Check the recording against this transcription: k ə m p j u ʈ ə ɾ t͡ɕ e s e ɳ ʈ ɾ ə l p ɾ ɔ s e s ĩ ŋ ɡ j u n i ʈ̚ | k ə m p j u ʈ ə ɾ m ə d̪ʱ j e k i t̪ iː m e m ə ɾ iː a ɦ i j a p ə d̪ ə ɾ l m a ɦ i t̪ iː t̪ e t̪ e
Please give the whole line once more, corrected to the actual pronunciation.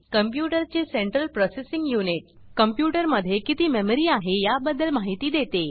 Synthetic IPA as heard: k ə m p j u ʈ ə ɾ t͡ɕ e s e ɳ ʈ ɾ ə l p ɾ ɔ s e s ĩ ŋ ɡ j u n i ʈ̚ | k ə m p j u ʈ ə ɾ m ə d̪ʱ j e k i t̪ iː m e m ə ɾ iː a ɦ e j a b ə d̪ ə l m a ɦ i t̪ iː d̪ e t̪ e